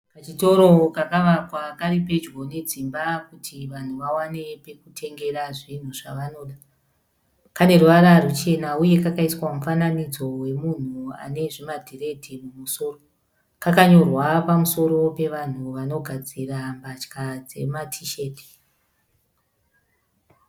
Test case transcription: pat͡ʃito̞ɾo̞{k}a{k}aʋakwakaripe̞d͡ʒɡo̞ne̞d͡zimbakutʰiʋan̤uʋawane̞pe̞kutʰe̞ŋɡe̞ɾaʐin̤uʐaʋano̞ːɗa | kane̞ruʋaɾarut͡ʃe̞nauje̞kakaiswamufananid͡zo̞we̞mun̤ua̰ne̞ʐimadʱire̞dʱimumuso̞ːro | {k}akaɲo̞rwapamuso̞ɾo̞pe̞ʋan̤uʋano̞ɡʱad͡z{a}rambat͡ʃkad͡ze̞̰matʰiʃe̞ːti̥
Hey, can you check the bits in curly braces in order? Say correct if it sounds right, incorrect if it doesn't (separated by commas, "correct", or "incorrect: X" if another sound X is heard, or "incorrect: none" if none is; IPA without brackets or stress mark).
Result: correct, correct, correct, incorrect: i